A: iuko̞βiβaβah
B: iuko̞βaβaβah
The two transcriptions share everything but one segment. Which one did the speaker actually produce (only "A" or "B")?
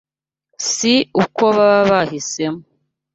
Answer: B